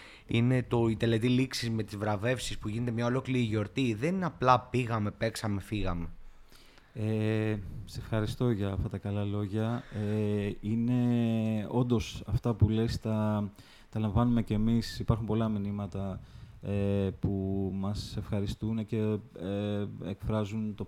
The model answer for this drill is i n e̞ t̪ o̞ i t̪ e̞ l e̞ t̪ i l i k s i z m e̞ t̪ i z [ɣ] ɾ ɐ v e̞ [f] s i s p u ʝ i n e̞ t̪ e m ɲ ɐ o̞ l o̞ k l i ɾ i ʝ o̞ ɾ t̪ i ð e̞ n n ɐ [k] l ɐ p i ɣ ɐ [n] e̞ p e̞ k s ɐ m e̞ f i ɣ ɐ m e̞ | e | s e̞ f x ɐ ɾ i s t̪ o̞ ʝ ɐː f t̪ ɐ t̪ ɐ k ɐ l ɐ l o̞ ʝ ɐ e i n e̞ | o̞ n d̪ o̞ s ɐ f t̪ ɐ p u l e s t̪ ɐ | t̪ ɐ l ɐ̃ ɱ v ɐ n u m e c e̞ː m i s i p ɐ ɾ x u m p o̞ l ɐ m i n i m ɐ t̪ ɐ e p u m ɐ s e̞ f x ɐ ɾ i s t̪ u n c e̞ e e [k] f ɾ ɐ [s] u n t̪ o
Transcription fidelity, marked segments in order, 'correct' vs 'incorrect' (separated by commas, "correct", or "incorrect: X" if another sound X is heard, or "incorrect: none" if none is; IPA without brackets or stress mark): incorrect: v, correct, incorrect: p, incorrect: m, correct, incorrect: z